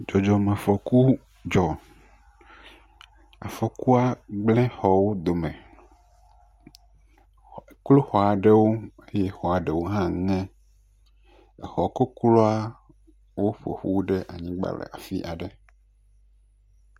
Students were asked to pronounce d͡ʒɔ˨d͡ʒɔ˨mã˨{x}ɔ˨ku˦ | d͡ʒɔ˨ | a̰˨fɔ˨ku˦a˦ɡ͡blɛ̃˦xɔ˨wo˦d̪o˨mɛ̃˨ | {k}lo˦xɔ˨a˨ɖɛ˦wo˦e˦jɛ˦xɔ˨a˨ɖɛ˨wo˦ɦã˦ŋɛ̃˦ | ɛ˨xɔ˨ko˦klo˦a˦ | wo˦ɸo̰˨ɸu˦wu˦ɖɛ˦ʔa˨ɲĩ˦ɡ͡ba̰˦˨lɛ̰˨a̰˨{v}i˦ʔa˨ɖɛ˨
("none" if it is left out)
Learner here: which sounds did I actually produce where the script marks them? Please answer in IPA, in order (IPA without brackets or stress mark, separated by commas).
f, k, f